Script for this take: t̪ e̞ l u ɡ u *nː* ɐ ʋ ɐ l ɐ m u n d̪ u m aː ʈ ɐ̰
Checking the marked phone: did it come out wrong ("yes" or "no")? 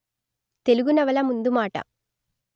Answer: yes